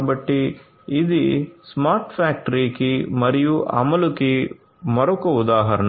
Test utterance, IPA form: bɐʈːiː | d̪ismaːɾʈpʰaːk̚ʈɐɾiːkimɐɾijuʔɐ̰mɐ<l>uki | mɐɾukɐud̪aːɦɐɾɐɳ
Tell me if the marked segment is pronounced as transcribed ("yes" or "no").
yes